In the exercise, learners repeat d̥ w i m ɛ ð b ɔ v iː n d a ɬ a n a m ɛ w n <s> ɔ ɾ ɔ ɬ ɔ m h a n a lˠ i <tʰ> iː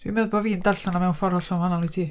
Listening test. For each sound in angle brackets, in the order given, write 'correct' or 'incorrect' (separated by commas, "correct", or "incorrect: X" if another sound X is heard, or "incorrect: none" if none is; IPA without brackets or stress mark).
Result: incorrect: f, correct